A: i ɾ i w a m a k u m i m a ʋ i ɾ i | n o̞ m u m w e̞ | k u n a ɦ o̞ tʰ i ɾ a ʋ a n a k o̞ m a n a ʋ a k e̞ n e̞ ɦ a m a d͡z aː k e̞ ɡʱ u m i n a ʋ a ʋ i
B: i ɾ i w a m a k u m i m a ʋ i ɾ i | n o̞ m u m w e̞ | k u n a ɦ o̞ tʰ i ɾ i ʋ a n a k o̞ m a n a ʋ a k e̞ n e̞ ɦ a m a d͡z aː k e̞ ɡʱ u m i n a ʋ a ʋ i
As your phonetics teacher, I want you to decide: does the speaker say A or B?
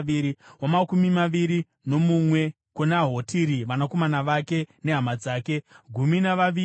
B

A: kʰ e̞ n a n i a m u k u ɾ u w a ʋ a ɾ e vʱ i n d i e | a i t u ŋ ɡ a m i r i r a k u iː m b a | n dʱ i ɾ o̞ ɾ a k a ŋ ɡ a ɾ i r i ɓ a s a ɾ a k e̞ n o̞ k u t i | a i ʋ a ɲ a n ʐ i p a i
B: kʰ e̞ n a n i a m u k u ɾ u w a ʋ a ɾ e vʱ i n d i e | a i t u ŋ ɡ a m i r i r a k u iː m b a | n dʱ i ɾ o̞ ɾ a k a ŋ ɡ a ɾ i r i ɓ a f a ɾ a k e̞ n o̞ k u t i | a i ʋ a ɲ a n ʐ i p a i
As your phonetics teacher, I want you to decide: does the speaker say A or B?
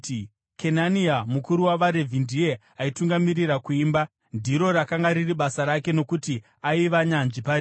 A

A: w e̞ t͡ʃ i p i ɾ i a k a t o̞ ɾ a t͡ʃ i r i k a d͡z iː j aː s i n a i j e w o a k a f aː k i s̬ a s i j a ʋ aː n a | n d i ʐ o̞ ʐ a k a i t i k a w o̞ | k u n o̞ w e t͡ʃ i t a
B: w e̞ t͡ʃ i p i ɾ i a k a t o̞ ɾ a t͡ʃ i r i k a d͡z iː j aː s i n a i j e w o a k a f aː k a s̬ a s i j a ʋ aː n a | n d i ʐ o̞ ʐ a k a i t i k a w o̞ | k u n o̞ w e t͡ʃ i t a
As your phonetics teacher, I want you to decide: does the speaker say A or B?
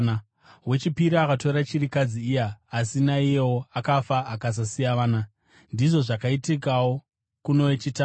B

